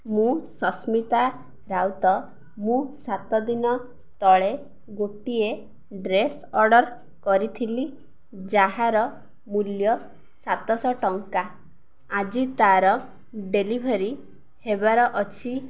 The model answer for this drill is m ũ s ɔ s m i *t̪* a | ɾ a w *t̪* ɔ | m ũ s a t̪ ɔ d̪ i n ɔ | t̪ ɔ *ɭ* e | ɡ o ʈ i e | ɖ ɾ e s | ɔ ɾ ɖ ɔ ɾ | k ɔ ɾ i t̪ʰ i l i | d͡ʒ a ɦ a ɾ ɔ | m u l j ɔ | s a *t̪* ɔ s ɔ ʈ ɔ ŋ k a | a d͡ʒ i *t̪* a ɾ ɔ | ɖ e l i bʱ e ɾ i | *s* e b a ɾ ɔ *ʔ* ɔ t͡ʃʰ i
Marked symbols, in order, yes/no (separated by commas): yes, yes, yes, yes, yes, no, yes